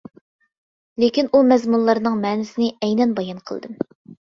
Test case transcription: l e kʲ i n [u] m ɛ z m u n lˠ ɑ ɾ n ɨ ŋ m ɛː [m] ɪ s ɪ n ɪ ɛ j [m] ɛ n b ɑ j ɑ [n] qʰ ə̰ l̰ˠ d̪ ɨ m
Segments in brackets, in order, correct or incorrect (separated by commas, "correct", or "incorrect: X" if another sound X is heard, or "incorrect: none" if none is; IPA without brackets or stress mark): correct, incorrect: n, incorrect: n, correct